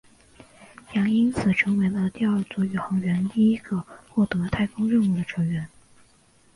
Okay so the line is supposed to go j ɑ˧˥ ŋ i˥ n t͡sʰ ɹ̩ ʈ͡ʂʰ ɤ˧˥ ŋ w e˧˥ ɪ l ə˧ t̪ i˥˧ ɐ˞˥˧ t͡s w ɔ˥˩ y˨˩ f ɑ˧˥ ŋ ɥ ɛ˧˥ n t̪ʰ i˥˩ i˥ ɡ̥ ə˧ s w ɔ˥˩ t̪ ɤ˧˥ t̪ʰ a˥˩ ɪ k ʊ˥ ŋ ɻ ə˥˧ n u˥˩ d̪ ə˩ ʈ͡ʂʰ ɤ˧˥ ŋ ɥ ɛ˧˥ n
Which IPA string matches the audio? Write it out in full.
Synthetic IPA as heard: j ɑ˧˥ ŋ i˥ n t͡sʰ ɹ̩ ʈ͡ʂʰ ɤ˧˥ ŋ w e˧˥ ɪ l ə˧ t̪ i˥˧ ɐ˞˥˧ t͡s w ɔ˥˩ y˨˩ x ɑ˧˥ ŋ ɥ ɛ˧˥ n t̪ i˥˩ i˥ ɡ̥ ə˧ x w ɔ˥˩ t̪ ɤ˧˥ t̪ʰ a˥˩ ɪ k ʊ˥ ŋ ɻ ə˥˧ n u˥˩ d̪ ə˩ ʈ͡ʂʰ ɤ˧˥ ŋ ɥ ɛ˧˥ n